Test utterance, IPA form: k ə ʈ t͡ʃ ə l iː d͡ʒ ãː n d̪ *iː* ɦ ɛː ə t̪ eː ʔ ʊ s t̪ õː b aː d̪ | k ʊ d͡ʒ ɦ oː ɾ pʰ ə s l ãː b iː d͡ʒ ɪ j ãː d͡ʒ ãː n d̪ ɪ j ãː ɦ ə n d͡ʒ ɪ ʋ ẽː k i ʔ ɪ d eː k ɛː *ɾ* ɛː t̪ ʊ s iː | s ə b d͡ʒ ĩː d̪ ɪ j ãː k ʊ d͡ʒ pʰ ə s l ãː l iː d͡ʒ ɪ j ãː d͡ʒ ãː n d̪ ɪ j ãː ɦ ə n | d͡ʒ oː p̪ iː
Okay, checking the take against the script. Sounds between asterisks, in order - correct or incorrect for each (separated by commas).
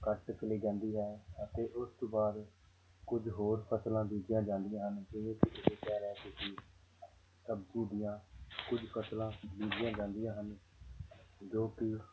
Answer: correct, correct